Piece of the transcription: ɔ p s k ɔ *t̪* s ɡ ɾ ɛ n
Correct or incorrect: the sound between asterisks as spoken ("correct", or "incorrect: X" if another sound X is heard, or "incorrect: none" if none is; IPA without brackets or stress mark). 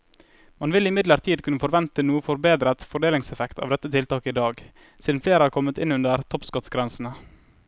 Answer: correct